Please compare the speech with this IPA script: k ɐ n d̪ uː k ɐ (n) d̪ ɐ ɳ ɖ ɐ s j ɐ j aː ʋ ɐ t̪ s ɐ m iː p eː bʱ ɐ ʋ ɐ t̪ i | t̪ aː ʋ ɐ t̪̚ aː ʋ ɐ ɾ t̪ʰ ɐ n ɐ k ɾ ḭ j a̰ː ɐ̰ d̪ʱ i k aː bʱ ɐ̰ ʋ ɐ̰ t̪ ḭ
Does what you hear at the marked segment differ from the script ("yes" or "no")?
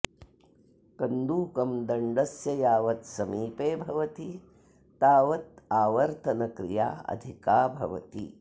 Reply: yes